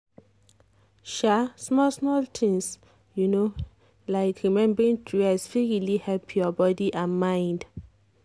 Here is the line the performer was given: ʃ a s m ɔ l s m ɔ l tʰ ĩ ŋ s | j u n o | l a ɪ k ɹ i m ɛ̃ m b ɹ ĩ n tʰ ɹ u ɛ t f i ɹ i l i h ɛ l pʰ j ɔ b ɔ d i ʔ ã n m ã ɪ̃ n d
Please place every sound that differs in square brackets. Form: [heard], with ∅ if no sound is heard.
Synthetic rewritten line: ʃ a s m ɔ l s m ɔ l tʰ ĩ ŋ s | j u n o | l a ɪ k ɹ i m ɛ̃ m b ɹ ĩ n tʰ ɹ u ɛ [s] f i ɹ i l i h ɛ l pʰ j ɔ b ɔ d i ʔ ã n m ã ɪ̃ n d